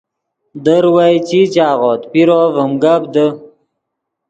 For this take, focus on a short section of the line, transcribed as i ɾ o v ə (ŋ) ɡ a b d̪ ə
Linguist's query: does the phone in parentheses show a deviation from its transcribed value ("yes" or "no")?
yes